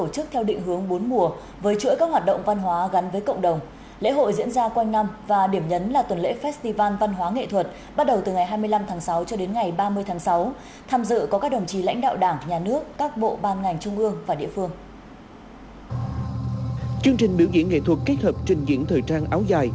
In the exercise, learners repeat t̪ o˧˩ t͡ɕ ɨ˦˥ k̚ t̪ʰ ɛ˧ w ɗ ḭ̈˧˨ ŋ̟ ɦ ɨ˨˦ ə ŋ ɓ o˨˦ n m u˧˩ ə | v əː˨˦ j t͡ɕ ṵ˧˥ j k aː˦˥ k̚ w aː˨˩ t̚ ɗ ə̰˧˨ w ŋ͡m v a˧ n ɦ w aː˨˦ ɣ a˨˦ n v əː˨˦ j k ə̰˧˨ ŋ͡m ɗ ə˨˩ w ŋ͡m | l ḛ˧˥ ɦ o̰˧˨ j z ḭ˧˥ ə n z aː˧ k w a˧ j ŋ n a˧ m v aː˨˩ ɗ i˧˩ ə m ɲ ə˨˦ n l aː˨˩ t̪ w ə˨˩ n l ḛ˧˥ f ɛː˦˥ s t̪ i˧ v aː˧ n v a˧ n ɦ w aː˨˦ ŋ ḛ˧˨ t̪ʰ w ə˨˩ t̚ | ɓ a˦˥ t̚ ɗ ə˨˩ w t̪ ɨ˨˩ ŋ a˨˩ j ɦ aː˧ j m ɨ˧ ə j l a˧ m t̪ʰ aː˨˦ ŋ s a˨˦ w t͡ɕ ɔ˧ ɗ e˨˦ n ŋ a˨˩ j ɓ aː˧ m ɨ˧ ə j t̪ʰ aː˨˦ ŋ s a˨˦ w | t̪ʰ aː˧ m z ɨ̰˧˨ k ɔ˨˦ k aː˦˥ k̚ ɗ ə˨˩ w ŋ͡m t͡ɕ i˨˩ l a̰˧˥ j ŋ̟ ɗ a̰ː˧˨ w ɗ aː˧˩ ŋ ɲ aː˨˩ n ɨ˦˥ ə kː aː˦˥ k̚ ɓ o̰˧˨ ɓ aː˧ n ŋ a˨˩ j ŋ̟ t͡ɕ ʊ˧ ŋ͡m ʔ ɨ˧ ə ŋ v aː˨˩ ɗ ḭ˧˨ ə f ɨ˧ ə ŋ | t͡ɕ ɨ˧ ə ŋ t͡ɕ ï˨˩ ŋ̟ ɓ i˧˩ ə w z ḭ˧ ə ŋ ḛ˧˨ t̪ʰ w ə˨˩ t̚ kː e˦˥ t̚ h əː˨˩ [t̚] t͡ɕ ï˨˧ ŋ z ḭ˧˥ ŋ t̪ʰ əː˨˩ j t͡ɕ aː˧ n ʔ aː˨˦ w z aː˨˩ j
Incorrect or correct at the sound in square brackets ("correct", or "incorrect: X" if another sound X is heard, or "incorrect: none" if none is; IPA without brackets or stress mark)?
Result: incorrect: p̚